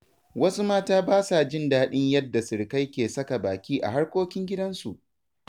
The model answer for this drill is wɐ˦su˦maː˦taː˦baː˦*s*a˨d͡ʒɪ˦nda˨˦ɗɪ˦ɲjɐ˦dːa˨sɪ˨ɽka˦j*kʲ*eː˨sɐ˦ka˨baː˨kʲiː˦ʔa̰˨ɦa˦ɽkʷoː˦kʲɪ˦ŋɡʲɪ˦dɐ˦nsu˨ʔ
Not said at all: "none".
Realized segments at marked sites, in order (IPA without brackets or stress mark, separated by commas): s, kʲ